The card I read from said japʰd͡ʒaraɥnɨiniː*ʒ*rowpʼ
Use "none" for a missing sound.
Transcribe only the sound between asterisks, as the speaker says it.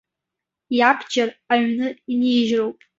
ʒ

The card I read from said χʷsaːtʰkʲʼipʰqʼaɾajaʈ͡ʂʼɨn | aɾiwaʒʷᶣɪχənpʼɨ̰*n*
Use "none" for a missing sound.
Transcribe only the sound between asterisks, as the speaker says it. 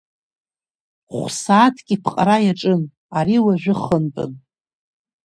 n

